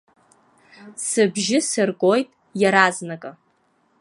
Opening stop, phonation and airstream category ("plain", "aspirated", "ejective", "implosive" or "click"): plain